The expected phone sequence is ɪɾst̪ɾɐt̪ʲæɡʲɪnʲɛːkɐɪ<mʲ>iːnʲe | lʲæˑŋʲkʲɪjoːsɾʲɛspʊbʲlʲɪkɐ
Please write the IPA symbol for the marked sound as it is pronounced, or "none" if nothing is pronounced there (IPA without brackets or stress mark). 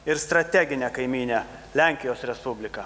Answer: mʲ